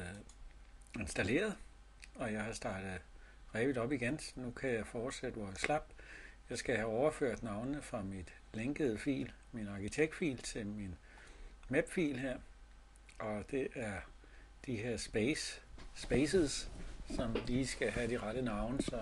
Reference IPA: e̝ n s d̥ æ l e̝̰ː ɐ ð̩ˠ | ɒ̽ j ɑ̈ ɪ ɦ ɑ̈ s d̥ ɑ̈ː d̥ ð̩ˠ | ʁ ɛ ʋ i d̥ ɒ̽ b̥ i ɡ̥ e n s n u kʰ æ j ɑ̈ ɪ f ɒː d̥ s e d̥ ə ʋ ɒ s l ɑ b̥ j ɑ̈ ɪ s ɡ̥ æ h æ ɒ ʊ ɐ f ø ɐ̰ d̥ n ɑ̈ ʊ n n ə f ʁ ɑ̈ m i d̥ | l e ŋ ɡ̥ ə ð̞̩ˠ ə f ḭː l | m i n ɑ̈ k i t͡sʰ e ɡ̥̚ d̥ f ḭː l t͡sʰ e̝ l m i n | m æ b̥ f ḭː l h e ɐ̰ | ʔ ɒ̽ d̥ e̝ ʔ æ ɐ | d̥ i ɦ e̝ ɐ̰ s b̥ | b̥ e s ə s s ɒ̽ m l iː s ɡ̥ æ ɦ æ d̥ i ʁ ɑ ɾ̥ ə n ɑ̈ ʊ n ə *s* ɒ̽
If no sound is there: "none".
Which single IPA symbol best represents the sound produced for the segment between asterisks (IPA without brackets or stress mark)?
s